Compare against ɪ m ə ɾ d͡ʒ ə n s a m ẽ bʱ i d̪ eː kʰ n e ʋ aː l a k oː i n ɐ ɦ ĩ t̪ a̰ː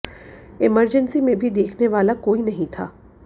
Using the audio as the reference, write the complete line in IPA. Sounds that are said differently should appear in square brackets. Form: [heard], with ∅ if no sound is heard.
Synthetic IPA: ɪ m ə ɾ d͡ʒ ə n s [i] m ẽ bʱ i d̪ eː kʰ n e ʋ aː l a k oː i n ɐ ɦ ĩ [t̪ʰ] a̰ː